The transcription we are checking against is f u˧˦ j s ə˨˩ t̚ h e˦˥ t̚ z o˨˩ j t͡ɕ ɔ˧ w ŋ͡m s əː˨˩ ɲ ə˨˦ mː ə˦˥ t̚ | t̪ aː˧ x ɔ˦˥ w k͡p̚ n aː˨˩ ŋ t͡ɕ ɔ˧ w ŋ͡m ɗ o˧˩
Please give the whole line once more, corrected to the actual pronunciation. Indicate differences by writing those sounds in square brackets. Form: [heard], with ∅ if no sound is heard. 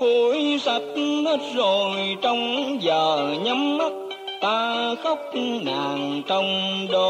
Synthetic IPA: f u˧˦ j s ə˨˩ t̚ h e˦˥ t̚ z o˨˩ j t͡ɕ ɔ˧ w ŋ͡m [z] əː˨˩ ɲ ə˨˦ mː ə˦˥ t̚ | t̪ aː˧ x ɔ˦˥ w k͡p̚ n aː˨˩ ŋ t͡ɕ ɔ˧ w ŋ͡m ɗ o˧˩